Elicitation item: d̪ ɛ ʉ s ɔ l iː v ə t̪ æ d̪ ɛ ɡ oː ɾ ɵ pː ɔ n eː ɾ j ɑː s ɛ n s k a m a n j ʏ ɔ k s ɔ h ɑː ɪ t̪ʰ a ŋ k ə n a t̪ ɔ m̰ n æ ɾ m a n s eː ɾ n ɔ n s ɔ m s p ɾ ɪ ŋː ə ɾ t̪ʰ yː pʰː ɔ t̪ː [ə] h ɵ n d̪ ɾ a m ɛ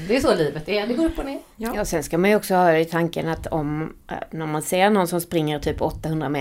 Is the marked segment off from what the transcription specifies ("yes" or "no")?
yes